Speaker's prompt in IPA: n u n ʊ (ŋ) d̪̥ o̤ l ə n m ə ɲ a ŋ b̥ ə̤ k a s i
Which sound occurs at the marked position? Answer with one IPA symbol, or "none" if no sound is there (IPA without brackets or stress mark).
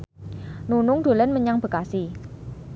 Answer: ŋ